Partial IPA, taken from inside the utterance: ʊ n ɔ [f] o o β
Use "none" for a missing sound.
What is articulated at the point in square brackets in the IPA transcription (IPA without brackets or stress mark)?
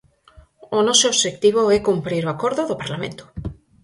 s